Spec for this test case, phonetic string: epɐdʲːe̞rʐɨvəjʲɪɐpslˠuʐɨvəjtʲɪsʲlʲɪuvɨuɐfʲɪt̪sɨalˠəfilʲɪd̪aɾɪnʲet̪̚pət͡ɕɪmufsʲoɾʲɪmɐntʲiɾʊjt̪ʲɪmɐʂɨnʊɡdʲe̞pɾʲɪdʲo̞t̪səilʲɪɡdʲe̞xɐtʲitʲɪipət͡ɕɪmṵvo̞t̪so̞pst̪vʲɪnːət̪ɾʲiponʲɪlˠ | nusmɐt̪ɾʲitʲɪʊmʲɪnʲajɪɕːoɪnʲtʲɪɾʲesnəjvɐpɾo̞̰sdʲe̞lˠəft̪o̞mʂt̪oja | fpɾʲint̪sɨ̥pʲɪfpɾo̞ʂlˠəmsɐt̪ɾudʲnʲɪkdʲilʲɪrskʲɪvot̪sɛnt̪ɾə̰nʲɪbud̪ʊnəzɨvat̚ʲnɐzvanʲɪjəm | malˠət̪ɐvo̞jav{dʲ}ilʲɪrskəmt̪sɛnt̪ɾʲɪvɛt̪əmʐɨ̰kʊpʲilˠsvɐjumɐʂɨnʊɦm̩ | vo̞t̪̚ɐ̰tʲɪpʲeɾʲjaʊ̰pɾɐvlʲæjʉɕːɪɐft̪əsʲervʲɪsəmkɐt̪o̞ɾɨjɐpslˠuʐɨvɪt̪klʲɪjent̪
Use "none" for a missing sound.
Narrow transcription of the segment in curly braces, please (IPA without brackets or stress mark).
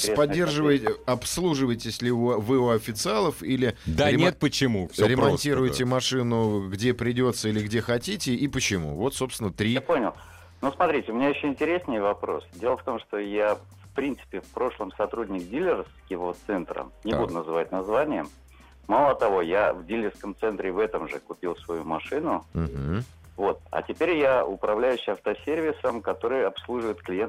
dʲ